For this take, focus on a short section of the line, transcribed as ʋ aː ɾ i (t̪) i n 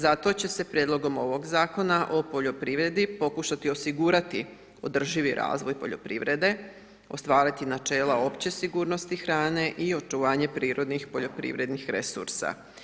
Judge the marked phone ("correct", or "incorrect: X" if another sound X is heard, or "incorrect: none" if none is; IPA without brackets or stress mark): correct